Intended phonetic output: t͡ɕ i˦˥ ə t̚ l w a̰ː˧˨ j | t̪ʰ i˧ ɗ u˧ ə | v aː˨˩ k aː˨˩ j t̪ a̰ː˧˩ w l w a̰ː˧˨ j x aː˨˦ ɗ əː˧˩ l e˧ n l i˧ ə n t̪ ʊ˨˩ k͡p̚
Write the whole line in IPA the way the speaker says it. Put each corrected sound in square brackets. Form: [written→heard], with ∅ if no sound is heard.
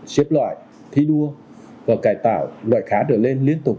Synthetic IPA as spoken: t͡ɕ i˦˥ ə [t̚→p̚] l w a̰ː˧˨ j | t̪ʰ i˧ ɗ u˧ ə | v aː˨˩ k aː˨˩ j t̪ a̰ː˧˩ w l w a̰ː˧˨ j x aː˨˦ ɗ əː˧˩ l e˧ n l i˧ ə n t̪ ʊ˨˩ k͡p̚